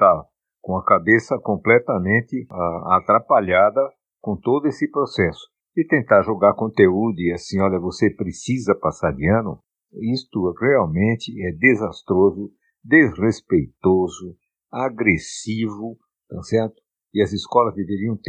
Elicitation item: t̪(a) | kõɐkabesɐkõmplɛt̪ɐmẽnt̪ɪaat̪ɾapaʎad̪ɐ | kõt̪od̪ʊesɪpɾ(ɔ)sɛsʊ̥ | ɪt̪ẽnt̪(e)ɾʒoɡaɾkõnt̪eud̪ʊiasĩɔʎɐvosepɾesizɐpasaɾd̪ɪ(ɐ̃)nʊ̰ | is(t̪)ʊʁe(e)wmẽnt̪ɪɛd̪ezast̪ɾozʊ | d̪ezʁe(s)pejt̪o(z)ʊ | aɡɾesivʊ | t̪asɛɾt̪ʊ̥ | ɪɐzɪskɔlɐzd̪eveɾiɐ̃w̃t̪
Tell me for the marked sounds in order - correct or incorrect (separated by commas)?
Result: correct, incorrect, incorrect, correct, correct, incorrect, correct, correct